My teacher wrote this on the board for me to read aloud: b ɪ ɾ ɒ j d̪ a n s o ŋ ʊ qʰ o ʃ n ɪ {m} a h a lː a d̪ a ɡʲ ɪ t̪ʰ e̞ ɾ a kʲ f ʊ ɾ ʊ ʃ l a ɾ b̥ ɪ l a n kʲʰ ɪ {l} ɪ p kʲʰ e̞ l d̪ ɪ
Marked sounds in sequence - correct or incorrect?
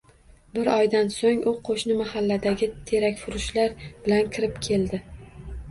correct, incorrect: ɾ

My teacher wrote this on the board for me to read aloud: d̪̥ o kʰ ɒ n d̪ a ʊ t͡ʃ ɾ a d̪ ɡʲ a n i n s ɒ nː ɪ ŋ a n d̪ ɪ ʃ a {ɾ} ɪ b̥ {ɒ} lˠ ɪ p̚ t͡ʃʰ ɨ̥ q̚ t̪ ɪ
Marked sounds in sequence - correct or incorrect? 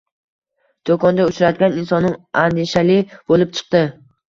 incorrect: l, incorrect: o

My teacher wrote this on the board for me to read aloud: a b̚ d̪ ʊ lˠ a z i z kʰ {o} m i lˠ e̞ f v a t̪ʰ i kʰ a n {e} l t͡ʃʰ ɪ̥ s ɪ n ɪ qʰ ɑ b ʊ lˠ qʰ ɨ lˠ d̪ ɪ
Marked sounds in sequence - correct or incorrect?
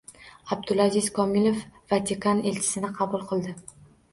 incorrect: ɒ, correct

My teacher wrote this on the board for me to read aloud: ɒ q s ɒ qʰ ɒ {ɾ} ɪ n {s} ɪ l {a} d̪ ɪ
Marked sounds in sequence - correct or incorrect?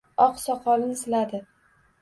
incorrect: l, correct, correct

